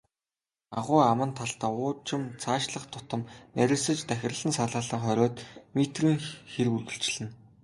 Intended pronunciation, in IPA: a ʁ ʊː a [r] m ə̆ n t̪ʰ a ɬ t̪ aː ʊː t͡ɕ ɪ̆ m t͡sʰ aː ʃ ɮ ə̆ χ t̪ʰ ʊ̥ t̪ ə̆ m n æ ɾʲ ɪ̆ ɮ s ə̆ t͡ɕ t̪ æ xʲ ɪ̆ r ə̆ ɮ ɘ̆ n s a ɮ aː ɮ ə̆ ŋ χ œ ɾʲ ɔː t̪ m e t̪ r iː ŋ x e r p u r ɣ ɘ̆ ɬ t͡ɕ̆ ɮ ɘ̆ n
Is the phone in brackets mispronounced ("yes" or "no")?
yes